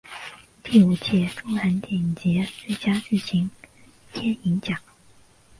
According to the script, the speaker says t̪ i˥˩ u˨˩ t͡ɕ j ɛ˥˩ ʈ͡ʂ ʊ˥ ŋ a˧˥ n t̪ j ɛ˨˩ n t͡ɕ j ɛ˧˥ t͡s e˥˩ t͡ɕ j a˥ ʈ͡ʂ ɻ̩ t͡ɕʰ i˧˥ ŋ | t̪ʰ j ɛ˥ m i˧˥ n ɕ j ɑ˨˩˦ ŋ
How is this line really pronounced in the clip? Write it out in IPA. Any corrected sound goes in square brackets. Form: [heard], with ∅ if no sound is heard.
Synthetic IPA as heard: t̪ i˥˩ u˨˩ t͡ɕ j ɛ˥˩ ʈ͡ʂ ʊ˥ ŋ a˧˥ n t̪ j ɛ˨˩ n t͡ɕ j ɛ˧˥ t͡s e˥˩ t͡ɕ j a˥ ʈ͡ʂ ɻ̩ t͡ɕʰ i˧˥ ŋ | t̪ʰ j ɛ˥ [n] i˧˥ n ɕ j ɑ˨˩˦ ŋ